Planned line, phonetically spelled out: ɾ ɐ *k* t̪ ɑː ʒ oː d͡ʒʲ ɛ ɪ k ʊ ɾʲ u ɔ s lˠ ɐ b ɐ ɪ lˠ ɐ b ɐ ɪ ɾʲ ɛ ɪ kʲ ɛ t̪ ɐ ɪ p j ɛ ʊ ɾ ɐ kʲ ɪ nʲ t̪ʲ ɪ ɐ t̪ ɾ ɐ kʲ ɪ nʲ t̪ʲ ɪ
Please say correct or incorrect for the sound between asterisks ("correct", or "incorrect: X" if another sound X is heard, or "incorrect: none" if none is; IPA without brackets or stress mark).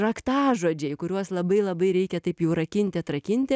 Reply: correct